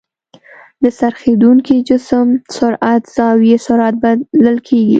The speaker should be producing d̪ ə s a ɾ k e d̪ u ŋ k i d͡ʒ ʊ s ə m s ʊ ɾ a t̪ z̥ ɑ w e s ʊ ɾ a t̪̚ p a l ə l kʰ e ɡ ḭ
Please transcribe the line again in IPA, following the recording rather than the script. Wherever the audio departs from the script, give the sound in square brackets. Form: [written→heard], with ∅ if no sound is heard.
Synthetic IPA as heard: d̪ ə s a ɾ [k→x] e d̪ u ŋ k i d͡ʒ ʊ s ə m s ʊ ɾ a t̪ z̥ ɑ w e s ʊ ɾ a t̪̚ [p→b] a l ə l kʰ e ɡ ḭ